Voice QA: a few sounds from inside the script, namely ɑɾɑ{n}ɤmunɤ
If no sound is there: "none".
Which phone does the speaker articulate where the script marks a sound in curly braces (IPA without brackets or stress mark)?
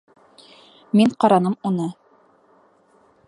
n